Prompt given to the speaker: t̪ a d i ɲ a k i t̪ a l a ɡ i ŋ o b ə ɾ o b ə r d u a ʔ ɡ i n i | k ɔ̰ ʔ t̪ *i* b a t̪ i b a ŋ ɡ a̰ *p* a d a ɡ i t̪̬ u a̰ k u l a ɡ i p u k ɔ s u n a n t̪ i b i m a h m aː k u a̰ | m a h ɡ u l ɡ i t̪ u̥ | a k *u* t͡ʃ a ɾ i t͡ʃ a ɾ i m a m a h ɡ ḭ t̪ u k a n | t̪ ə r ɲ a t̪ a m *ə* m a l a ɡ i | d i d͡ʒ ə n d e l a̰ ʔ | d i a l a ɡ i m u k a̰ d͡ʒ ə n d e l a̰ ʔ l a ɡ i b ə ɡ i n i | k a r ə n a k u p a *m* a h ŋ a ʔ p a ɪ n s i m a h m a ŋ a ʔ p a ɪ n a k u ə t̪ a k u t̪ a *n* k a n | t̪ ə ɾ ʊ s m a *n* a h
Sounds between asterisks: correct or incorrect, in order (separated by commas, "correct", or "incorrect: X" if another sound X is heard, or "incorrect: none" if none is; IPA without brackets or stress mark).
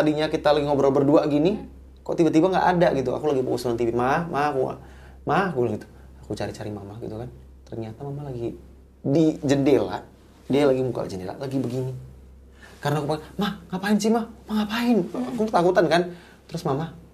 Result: correct, incorrect: ʔ, correct, incorrect: a, correct, correct, incorrect: m